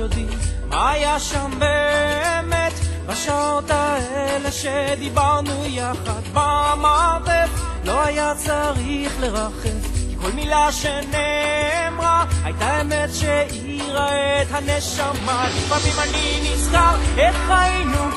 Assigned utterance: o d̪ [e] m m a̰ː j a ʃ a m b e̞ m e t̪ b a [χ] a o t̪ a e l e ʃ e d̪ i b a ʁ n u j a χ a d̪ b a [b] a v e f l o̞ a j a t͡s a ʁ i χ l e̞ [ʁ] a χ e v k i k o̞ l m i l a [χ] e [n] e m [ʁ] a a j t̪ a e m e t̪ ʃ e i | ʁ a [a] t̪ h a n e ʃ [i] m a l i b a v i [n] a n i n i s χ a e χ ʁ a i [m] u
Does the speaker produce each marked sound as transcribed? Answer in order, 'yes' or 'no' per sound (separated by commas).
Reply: no, no, no, yes, no, yes, yes, no, no, no, no